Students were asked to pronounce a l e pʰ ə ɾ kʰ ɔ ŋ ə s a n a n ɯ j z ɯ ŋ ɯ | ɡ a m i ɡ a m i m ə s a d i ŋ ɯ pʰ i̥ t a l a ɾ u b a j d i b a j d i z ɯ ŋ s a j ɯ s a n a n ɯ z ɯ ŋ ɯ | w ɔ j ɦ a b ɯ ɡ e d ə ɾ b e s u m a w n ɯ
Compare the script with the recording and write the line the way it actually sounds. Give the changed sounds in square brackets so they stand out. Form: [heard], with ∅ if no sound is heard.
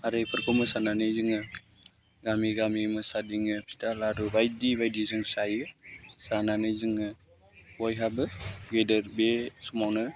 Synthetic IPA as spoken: a [ɾ] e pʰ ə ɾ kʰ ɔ [m] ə s a n a n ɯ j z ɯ ŋ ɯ | ɡ a m i ɡ a m i m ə s a d i ŋ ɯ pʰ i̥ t a l a ɾ u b a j d i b a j d i z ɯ ŋ s a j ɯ s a n a n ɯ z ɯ ŋ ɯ | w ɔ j ɦ a b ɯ ɡ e d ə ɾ b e s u m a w n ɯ